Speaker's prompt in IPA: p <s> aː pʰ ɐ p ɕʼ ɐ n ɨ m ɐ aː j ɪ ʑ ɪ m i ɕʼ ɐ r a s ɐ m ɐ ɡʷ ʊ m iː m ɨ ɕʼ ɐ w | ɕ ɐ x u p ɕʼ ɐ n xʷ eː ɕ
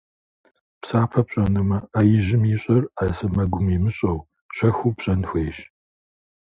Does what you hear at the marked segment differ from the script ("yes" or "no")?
no